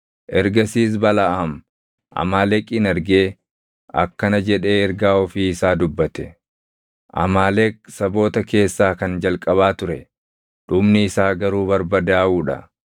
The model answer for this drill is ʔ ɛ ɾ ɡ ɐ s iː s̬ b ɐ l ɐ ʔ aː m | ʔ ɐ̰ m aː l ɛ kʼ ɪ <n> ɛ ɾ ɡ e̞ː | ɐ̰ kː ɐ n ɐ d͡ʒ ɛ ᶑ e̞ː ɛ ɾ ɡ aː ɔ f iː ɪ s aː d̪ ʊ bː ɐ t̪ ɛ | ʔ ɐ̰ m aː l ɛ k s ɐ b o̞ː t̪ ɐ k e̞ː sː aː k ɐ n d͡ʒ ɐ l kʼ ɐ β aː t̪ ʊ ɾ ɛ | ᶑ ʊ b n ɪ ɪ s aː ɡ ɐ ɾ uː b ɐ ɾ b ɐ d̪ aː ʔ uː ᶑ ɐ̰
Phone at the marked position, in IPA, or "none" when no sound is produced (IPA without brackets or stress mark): n